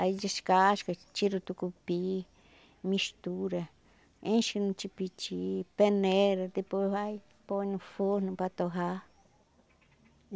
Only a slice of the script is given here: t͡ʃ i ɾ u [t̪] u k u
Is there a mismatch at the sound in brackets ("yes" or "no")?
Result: no